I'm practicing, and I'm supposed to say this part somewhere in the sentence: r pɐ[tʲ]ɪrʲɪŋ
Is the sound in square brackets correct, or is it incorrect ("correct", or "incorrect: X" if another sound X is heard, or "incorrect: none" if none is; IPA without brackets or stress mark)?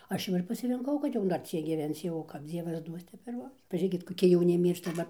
incorrect: sʲ